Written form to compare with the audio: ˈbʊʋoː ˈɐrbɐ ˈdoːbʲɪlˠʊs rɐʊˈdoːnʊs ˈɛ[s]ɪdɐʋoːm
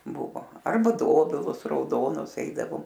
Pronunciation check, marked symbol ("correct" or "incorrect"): incorrect